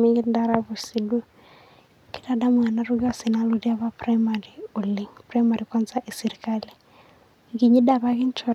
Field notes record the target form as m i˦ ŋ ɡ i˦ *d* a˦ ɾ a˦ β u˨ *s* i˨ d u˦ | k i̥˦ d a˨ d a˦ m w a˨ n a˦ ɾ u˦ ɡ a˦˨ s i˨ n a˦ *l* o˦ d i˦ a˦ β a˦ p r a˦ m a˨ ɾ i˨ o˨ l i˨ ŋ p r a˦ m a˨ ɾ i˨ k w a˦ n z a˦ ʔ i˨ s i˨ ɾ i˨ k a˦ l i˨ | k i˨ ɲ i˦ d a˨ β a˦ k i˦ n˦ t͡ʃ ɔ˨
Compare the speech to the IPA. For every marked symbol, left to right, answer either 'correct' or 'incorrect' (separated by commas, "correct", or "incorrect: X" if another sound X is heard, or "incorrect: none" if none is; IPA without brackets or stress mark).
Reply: correct, correct, correct